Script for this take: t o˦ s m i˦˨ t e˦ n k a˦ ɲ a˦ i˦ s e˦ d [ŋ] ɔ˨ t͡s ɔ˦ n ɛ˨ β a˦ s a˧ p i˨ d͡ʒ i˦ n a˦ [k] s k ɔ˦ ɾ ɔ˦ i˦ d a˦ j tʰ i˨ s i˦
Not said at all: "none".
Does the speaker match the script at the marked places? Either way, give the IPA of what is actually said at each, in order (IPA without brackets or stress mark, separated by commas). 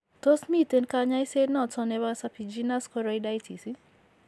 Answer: n, none